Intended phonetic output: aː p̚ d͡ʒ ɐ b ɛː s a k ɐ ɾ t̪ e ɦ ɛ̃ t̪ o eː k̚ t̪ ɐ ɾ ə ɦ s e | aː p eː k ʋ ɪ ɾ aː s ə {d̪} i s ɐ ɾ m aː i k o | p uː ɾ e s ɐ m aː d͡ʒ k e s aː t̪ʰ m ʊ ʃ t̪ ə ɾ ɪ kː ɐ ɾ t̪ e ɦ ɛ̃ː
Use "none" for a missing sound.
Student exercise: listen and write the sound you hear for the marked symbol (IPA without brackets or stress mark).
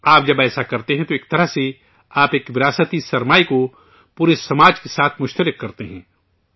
t̪